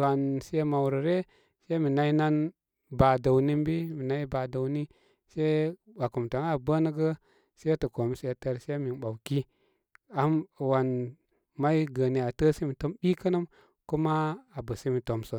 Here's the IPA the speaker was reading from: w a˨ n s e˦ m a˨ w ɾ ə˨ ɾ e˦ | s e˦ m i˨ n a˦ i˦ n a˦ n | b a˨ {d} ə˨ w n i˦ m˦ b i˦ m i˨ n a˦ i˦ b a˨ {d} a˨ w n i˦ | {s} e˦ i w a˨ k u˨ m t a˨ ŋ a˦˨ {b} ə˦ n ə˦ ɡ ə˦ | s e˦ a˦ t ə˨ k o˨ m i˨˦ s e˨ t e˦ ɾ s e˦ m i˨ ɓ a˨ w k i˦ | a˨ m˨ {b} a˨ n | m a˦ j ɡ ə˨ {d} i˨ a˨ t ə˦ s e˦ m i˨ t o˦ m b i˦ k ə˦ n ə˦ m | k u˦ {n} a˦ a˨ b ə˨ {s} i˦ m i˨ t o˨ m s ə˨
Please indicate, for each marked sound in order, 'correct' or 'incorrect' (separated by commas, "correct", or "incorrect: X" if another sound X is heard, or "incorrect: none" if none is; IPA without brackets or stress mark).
correct, correct, correct, correct, incorrect: w, incorrect: n, incorrect: m, correct